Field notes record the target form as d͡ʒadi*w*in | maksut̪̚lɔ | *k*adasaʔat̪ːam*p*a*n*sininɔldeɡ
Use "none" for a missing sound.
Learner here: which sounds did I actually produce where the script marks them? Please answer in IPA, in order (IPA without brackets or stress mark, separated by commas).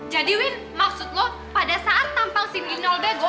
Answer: w, p, p, ŋ